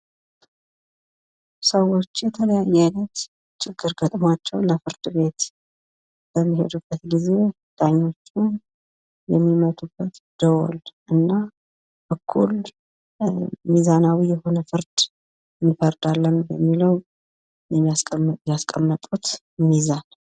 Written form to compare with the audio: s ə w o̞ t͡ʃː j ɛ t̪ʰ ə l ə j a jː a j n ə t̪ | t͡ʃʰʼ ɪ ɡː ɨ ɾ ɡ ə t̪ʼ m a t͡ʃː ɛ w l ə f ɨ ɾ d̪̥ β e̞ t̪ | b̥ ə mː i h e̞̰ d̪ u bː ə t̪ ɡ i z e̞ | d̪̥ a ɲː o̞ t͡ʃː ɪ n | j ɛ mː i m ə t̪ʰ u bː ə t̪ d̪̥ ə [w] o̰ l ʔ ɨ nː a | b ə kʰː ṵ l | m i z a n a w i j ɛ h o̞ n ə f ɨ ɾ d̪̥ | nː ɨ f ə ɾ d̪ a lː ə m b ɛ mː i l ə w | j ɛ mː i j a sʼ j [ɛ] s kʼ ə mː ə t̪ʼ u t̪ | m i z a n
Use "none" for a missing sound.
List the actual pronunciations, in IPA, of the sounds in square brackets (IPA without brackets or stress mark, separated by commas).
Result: w, a